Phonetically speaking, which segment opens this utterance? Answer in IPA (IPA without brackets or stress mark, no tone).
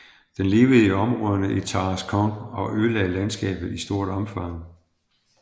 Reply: d̥